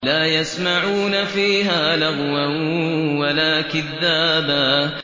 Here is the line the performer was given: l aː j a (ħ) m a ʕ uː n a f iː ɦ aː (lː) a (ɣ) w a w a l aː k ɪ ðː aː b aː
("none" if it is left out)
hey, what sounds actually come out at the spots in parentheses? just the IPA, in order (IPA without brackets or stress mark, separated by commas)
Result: s, l, ɣ